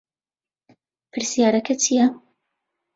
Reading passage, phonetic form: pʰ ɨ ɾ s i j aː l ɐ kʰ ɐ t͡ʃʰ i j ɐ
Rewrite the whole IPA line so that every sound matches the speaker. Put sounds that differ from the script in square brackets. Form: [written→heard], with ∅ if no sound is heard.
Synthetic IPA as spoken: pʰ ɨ ɾ s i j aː [l→ɾ] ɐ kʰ ɐ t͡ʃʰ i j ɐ